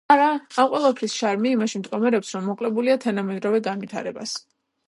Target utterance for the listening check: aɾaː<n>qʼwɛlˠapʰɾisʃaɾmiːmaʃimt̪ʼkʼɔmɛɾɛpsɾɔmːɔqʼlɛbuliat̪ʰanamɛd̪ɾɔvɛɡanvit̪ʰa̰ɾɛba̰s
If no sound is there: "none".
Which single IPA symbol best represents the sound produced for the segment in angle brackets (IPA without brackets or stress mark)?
m